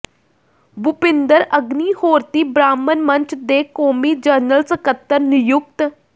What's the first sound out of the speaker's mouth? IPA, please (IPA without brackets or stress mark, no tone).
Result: b